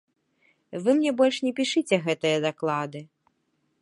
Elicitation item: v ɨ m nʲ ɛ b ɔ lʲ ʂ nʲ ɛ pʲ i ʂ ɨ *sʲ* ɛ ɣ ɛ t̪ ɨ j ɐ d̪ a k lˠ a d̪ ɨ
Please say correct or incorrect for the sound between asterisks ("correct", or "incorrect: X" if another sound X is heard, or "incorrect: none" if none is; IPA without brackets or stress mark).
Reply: incorrect: t͡sʲ